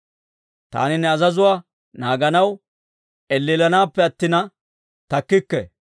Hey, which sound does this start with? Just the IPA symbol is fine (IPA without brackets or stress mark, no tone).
t̪